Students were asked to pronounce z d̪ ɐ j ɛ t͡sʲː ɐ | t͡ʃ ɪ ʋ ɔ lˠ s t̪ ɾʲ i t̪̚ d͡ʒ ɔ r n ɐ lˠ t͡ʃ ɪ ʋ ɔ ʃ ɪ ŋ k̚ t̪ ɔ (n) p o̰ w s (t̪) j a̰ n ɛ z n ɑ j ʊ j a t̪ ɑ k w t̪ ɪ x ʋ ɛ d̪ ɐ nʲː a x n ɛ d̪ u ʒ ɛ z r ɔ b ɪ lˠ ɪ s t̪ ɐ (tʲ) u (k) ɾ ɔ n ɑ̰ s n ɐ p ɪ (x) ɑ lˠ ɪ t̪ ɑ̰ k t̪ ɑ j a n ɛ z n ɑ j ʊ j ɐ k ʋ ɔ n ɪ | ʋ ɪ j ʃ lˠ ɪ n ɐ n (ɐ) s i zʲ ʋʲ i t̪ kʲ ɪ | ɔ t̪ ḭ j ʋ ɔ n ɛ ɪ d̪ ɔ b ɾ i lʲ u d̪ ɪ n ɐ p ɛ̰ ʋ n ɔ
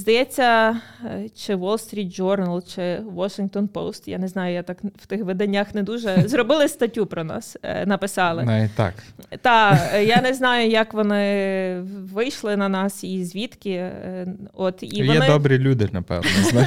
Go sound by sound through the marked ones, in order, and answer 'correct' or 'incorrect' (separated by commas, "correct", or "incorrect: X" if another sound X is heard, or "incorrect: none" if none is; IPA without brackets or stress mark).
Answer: correct, correct, correct, incorrect: p, incorrect: s, incorrect: ɑ